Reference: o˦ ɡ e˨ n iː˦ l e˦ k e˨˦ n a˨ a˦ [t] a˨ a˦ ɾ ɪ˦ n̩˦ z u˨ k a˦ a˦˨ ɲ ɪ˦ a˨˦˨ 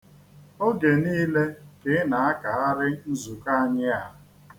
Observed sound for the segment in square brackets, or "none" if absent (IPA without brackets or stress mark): k